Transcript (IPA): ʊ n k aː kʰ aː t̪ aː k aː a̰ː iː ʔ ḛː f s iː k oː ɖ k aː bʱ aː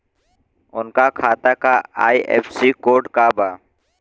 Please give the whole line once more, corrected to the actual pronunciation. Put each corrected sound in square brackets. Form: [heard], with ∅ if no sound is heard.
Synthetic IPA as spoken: ʊ n k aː kʰ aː t̪ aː k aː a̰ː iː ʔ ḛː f s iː k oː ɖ k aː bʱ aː